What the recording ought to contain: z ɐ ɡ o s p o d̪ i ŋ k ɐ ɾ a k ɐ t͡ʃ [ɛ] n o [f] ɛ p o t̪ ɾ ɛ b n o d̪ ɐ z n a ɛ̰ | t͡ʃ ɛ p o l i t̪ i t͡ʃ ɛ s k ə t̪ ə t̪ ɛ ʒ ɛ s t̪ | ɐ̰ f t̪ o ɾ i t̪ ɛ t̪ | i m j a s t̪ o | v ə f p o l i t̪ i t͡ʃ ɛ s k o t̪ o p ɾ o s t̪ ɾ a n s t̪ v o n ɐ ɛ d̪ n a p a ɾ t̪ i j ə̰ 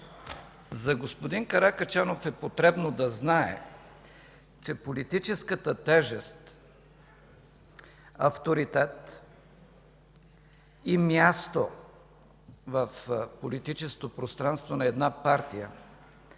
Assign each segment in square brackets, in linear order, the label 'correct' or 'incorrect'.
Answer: incorrect, correct

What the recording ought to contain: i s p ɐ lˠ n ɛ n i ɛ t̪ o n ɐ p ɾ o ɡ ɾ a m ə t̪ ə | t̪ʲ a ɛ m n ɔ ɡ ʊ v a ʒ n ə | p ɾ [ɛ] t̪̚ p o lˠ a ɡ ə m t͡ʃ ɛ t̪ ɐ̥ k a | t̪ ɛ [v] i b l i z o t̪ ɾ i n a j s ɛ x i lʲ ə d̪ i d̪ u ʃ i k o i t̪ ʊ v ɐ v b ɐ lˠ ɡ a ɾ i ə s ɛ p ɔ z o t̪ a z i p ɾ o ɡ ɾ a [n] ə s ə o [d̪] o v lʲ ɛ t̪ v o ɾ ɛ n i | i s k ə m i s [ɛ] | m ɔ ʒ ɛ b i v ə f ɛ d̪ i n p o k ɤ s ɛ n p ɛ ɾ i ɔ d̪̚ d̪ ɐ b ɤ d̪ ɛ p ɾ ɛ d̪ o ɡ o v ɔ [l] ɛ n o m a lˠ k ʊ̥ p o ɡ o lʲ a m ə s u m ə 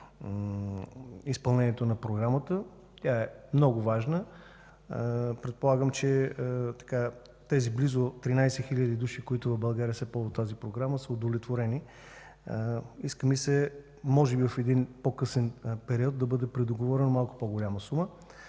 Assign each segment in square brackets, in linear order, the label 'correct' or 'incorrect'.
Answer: correct, incorrect, incorrect, correct, correct, incorrect

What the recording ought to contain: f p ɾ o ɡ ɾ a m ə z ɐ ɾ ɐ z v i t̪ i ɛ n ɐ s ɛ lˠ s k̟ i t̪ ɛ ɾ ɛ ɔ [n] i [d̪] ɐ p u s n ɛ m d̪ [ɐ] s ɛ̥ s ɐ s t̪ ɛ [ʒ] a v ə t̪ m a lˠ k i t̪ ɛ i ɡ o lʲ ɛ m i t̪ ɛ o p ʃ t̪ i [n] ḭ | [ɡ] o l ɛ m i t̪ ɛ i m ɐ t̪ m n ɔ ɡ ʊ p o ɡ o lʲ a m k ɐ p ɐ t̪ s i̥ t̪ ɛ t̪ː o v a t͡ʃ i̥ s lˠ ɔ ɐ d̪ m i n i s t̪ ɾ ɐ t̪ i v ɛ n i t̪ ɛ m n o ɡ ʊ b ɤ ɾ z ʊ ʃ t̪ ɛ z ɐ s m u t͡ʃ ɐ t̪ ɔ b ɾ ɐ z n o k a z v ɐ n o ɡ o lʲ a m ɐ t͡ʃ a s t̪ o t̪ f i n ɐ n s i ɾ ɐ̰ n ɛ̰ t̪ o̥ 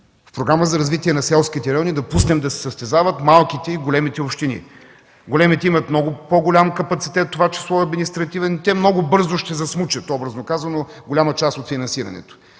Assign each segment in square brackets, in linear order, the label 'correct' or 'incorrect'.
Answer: correct, correct, correct, incorrect, correct, correct

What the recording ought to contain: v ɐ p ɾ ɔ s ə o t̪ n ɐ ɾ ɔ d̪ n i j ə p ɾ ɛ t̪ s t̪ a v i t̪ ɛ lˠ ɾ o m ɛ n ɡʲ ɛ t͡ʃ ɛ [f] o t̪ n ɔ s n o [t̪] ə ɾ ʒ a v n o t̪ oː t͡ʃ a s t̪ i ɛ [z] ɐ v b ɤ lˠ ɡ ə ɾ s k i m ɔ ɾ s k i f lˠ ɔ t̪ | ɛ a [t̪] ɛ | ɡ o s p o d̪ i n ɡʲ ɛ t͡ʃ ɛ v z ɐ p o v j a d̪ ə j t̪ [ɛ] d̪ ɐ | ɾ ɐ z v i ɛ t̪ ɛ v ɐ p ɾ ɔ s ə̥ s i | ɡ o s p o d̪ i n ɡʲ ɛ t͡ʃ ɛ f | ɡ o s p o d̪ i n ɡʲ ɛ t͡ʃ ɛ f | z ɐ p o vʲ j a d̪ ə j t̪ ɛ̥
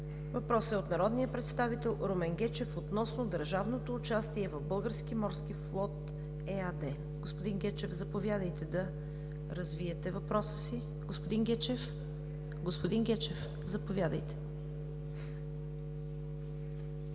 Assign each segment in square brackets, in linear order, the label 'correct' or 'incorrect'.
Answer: correct, incorrect, incorrect, incorrect, correct

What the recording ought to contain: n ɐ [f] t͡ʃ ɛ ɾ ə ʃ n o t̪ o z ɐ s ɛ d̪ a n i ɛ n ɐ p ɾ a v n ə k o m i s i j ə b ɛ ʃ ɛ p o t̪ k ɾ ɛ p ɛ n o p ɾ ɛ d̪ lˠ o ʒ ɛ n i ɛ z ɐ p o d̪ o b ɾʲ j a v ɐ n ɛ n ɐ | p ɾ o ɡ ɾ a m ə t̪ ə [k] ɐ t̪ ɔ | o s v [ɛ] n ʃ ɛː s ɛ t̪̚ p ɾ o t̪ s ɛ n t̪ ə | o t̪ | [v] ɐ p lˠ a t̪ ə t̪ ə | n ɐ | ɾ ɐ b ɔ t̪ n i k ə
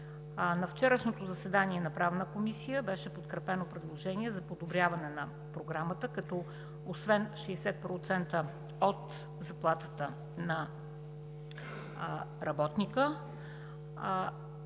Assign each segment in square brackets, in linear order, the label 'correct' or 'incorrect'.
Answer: correct, correct, correct, incorrect

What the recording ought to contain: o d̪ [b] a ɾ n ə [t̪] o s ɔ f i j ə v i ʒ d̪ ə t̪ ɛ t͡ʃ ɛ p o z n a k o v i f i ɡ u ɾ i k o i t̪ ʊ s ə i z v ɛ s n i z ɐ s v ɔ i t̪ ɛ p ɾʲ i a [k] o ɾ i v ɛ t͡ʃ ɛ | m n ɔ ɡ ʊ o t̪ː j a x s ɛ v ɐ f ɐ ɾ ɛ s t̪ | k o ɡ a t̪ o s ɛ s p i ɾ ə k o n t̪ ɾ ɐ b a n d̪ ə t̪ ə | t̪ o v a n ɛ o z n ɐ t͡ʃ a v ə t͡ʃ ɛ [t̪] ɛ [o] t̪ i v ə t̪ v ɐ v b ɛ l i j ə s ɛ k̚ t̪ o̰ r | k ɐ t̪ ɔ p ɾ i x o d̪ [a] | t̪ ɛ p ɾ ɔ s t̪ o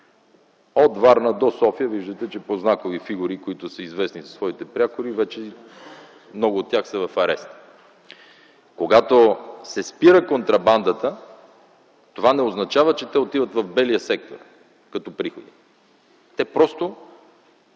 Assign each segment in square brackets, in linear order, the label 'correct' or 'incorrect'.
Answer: incorrect, incorrect, correct, correct, correct, incorrect

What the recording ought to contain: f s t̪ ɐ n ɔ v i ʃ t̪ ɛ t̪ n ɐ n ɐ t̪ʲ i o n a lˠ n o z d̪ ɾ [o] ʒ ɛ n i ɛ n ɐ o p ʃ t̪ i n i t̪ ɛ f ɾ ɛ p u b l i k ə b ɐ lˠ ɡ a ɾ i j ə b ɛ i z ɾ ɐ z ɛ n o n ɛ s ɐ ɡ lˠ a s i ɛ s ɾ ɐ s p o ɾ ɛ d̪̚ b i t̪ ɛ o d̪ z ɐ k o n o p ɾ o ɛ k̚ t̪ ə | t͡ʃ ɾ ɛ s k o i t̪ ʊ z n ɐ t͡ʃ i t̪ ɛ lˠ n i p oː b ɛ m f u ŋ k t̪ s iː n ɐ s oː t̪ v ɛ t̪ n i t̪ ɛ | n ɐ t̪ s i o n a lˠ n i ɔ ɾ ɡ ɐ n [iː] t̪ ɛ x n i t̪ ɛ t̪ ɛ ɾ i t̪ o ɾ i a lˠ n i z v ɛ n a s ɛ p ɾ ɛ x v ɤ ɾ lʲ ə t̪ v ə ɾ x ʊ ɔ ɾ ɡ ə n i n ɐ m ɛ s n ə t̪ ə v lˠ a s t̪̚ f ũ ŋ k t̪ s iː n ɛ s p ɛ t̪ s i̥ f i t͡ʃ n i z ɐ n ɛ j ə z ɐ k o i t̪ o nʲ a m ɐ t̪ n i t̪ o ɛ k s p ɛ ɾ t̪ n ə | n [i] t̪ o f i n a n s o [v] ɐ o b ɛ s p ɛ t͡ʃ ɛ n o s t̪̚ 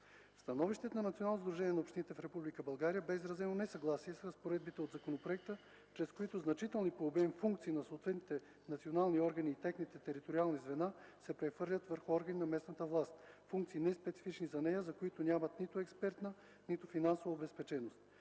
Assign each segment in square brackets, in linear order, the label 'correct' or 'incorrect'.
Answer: incorrect, correct, correct, correct

